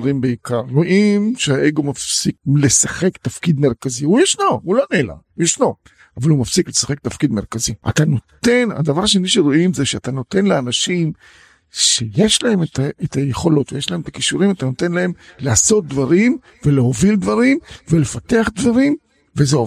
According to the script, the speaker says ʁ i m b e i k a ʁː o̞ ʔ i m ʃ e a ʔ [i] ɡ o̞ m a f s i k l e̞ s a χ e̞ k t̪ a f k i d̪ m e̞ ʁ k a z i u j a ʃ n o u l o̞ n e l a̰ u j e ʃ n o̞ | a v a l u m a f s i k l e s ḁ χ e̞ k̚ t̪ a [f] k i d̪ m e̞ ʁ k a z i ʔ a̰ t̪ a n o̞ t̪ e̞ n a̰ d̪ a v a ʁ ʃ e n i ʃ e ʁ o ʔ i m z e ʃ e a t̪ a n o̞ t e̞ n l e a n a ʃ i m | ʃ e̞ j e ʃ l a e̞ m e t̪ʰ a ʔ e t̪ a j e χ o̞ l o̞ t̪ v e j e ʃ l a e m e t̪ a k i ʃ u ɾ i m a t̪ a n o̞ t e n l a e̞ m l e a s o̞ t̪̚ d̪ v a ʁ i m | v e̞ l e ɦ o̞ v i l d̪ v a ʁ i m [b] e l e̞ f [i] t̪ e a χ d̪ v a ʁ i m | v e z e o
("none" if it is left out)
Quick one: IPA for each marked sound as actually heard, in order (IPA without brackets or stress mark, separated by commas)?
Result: e, f, v, a